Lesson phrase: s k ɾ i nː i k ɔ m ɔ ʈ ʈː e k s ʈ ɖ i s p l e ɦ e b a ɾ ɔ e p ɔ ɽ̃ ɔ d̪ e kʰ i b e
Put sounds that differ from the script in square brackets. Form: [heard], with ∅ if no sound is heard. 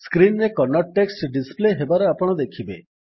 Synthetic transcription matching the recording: s k ɾ i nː [e] k ɔ [n] ɔ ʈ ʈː e k s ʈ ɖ i s p l e ɦ e b a ɾ ɔ [a] p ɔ ɽ̃ ɔ d̪ e kʰ i b e